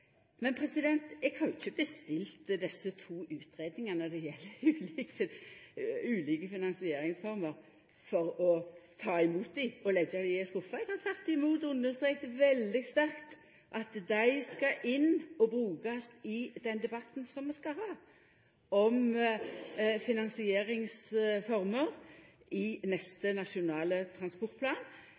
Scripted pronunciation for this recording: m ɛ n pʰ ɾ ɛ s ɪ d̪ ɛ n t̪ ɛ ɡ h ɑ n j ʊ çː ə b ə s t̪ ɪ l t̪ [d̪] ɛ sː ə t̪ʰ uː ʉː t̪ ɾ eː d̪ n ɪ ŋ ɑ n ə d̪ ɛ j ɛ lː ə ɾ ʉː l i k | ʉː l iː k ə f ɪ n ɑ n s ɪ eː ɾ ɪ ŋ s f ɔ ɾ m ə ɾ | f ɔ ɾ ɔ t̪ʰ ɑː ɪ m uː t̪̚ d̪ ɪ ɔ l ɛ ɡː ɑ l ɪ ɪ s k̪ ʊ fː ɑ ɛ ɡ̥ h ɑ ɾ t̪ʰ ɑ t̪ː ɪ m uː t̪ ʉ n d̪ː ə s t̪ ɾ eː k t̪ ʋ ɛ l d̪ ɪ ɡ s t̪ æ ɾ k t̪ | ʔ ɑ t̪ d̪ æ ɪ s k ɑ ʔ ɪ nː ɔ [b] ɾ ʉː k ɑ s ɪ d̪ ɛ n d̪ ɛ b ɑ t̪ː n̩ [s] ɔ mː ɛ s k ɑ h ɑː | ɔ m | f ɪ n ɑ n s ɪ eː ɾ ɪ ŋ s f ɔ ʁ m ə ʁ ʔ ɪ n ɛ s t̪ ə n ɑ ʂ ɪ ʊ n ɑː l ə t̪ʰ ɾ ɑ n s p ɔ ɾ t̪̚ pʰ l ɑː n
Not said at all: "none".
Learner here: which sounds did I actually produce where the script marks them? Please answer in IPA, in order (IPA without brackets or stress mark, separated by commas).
d̪, b, s